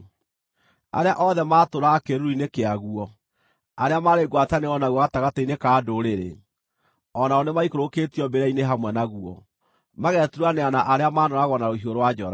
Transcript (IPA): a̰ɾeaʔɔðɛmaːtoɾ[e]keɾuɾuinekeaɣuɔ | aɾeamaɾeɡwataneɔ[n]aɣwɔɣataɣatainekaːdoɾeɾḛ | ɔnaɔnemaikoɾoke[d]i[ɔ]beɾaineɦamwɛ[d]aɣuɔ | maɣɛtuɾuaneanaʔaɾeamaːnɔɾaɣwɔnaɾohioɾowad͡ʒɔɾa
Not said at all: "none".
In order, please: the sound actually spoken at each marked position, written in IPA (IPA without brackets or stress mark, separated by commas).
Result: a, n, t, ɔ, n